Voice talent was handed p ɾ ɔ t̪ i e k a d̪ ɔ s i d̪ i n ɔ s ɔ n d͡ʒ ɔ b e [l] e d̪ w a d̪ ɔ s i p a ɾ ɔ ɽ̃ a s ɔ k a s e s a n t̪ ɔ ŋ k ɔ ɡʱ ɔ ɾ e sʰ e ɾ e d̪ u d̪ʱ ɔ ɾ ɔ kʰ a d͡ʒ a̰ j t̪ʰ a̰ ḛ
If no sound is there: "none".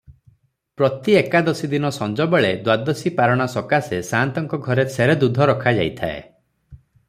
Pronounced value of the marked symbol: ɭ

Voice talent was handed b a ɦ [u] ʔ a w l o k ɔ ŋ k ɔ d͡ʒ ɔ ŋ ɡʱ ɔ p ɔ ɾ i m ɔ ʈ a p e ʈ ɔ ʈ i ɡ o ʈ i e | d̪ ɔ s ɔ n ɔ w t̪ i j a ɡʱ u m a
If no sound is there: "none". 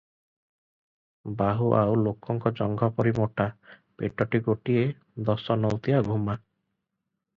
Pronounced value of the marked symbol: u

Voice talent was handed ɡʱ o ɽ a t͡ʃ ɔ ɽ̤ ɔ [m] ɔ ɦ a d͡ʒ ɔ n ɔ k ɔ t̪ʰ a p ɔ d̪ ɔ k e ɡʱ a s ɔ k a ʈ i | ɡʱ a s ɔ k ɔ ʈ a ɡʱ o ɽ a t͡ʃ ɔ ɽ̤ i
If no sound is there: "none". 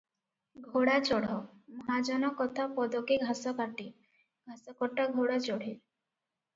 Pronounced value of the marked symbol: m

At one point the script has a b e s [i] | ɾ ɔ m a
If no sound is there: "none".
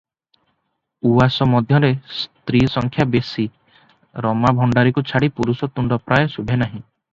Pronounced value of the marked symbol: i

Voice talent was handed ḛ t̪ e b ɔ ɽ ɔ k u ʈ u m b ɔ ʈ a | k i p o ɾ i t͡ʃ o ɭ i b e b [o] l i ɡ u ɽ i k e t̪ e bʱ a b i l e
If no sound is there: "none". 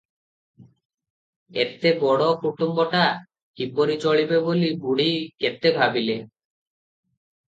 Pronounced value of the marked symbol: o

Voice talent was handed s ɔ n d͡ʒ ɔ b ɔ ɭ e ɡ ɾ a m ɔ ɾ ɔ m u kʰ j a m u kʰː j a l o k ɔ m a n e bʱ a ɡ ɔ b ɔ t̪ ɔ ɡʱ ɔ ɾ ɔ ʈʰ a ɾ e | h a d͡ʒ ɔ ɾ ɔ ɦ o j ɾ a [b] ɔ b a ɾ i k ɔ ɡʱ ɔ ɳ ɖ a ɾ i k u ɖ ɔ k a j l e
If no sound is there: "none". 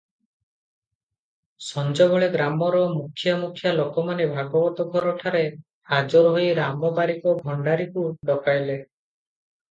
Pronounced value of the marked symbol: m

